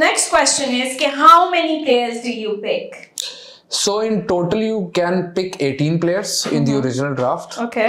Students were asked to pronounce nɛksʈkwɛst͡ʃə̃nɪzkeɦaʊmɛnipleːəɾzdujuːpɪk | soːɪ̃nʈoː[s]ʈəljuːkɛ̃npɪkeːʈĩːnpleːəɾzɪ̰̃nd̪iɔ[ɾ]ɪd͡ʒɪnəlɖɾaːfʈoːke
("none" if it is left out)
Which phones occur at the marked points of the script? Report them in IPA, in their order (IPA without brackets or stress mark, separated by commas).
none, ɾ